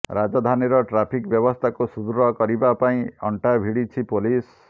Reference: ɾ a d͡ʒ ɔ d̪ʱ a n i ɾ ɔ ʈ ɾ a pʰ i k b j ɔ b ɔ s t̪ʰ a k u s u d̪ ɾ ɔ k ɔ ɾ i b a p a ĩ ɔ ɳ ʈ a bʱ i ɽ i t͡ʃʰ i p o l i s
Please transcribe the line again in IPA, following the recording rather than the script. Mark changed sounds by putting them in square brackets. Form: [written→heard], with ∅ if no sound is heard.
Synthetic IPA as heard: ɾ a d͡ʒ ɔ d̪ʱ a n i ɾ ɔ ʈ ɾ a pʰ i k b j ɔ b ɔ s t̪ʰ a k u s u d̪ ɾ ɔ k ɔ ɾ i b a p a ĩ ɔ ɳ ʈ a bʱ i ɽ i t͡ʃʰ i p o l i s